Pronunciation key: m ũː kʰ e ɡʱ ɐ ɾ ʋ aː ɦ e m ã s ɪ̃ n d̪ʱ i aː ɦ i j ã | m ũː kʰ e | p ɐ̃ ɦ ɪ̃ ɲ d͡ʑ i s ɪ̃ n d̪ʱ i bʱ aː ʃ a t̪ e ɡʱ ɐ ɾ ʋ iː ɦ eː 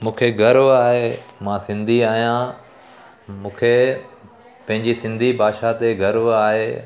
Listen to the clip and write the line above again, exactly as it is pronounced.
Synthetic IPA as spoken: m ũː kʰ e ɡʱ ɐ ɾ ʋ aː ɦ e m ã s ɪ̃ n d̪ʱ i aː ɦ i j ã | m ũː kʰ e | p ɐ̃ ɦ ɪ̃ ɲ d͡ʑ i s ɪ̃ n d̪ʱ i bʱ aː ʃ a t̪ e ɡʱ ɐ ɾ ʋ aː ɦ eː